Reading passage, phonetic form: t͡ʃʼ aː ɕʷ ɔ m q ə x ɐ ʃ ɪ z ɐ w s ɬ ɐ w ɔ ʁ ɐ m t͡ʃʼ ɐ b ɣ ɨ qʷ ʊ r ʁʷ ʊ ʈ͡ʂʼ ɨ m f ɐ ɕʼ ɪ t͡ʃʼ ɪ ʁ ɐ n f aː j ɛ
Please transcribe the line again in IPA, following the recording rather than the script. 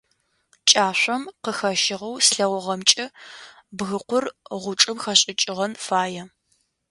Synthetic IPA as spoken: t͡ʃʼ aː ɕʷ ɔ m q ə x ɐ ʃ ɪ ʁ ɐ w s ɬ ɐ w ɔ ʁ ɐ m t͡ʃʼ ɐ b ɣ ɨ qʷ ʊ r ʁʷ ʊ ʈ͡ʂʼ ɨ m x ɐ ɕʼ ɪ t͡ʃʼ ɪ ʁ ɐ n f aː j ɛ

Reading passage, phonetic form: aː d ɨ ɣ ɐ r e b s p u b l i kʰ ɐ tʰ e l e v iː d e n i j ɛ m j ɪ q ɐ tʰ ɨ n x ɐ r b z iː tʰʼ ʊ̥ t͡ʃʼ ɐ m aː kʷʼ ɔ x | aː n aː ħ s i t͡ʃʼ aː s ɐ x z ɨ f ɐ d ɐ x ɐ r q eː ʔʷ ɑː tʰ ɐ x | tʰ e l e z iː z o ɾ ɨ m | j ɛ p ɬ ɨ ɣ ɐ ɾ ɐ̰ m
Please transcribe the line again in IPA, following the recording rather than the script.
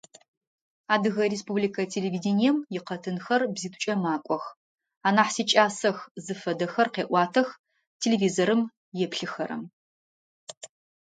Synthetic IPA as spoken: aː d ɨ ɣ ɐ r e s p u b l i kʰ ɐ tʰ e l e v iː d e n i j ɛ m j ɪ q ɐ tʰ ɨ n x ɐ r b z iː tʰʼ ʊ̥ t͡ʃʼ ɐ m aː kʷʼ ɔ x | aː n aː ħ s i t͡ʃʼ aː s ɐ x z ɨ f ɐ d ɐ x ɐ r q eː ʔʷ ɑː tʰ ɐ x | tʰ e l e v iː z o ɾ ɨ m | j ɛ p ɬ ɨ x ɐ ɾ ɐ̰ m

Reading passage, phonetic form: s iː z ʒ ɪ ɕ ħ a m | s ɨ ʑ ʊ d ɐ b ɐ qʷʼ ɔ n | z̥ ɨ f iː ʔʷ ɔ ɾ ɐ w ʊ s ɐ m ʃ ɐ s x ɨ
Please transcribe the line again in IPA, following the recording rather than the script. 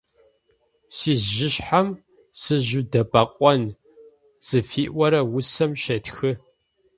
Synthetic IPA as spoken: s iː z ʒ ɪ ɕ ħ a m | s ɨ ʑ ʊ d ɐ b ɐ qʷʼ ɔ n | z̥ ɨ f iː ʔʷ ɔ ɾ ɐ w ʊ s ɐ m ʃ ɐ t x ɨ

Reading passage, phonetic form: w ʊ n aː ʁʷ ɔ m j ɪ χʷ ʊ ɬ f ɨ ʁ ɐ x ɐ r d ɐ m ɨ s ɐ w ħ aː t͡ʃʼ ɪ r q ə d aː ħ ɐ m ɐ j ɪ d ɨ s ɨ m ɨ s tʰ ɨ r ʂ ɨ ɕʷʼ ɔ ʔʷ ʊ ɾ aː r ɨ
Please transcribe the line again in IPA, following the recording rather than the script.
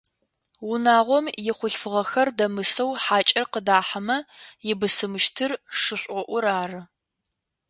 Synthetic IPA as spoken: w ʊ n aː ʁʷ ɔ m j ɪ χʷ ʊ ɬ f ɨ ʁ ɐ x ɐ r d ɐ m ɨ s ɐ w ħ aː t͡ʃʼ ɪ r q ə d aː ħ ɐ m ɐ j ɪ b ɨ s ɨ m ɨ ʃ tʰ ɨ r ʂ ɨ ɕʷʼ ɔ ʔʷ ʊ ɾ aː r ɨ

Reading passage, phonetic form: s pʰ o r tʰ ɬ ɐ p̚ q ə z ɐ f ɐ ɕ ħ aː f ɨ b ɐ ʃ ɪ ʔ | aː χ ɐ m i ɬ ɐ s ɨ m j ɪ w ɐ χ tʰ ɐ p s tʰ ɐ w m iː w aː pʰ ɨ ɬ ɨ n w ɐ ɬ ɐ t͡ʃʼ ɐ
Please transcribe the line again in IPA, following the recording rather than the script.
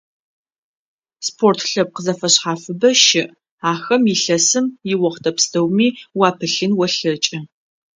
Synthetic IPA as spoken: s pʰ o r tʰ ɬ ɐ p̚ q ə z ɐ f ɐ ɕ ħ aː f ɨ b ɐ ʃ ɪ ʔ | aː x ɐ m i ɬ ɐ s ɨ m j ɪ w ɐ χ tʰ ɐ p s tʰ ɐ w m iː w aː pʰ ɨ ɬ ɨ n w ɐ ɬ ɐ t͡ʃʼ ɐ

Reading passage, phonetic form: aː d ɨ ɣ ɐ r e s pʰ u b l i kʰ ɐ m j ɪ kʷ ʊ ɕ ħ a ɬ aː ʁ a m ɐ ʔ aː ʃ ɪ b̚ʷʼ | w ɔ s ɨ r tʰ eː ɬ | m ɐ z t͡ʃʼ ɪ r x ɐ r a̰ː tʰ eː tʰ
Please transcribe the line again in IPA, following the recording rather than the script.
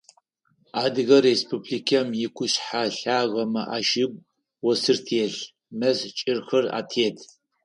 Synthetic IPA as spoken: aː d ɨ ɣ ɐ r e s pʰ u b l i kʰ ɐ m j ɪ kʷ ʊ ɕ ħ a ɬ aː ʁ ɐ m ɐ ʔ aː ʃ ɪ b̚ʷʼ | w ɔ s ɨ r tʰ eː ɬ | m ɐ z t͡ʃʼ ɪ r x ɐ r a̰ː tʰ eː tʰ

